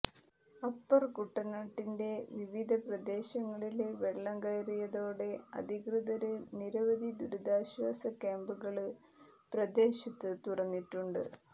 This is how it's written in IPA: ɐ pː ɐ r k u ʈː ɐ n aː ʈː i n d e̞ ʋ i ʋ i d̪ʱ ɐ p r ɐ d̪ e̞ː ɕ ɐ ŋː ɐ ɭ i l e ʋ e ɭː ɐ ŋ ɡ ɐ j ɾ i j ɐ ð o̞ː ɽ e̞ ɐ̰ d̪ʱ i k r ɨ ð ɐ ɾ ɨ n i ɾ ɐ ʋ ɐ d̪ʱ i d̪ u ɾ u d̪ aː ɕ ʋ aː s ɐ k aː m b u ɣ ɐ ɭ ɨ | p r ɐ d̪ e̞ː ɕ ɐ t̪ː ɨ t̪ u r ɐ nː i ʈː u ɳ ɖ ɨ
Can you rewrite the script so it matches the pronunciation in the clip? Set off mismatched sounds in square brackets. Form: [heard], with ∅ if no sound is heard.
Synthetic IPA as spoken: ɐ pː ɐ r k u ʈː ɐ n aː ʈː i n d e̞ ʋ i ʋ i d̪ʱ ɐ p r ɐ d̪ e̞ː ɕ ɐ ŋː ɐ ɭ i l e ʋ e ɭː ɐ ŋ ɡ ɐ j ɾ i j ɐ ð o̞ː ɽ e̞ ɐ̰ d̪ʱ i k r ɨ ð ɐ ɾ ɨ n i ɾ ɐ ʋ ɐ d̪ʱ i d̪ u ɾ u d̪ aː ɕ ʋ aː s ɐ k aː m b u ɣ ɐ ɭ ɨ | p r ɐ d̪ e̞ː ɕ ɐ t̪ː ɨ t̪ u r ɐ nː i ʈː u ɳ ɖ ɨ